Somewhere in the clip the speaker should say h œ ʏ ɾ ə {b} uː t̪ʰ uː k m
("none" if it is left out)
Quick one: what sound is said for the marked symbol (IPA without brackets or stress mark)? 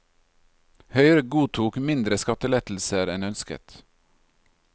ɡ